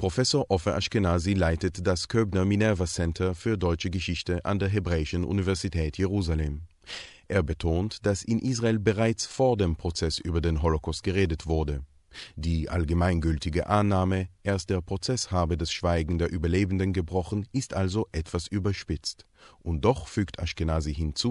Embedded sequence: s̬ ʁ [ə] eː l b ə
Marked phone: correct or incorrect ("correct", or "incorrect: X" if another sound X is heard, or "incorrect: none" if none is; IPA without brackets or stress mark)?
incorrect: a